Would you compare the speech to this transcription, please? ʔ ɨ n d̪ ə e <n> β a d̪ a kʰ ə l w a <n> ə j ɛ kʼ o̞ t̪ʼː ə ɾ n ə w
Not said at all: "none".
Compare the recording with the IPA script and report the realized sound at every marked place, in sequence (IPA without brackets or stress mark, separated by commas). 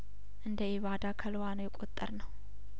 none, n